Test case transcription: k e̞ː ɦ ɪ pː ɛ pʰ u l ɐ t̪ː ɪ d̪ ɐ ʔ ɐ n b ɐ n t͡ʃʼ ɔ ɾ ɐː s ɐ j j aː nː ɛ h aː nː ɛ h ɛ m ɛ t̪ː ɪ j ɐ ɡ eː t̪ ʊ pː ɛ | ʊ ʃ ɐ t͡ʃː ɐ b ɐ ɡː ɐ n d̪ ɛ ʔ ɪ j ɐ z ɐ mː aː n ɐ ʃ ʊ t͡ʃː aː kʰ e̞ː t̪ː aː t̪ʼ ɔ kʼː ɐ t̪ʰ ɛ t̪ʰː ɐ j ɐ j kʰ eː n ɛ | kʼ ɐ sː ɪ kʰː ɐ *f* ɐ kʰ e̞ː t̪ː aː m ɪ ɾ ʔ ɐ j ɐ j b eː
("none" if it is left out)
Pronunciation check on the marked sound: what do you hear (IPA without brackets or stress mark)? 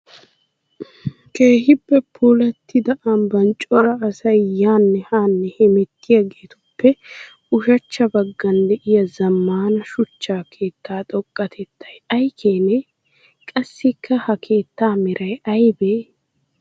h